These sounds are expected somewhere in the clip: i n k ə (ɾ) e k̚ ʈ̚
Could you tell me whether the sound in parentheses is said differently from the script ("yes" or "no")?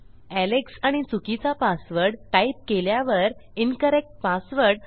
no